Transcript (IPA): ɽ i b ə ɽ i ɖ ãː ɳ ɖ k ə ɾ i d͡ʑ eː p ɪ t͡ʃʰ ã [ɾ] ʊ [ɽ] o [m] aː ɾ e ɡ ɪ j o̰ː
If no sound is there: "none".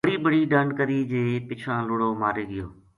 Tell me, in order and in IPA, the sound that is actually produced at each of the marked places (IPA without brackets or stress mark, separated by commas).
l, ɽ, m